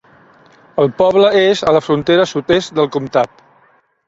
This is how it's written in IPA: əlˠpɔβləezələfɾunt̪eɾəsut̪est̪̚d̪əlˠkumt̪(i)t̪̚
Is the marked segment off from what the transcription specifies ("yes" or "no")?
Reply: yes